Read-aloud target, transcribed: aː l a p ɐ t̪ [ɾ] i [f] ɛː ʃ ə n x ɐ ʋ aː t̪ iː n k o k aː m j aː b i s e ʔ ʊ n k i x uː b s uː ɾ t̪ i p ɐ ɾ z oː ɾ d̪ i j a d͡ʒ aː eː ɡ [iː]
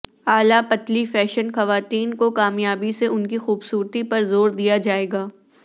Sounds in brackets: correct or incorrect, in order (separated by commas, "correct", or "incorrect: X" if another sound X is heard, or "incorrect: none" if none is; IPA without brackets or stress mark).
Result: incorrect: l, correct, incorrect: aː